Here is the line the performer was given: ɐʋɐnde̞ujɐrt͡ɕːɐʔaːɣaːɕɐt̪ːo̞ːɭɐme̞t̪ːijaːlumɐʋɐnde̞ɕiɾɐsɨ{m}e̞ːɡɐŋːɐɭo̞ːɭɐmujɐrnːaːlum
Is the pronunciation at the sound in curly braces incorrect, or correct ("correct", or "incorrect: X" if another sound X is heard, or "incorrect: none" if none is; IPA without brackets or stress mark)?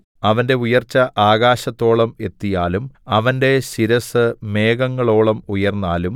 correct